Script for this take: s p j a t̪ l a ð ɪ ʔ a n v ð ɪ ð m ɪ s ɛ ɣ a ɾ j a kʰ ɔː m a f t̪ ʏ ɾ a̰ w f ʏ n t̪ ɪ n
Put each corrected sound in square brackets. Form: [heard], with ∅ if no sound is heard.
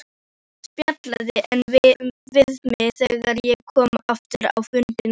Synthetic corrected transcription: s p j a t̪ l a ð ɪ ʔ [ɛ] n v [v] ɪ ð m ɪ [θ] ɛ ɣ a ɾ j [ɛ] kʰ ɔː m a f t̪ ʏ ɾ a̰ w f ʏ n t̪ ɪ n